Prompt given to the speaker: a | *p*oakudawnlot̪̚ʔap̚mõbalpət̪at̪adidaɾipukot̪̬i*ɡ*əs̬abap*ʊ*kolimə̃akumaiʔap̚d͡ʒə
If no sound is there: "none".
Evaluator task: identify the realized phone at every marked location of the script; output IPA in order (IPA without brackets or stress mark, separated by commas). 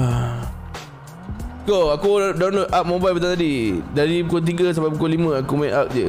k, ɡ, u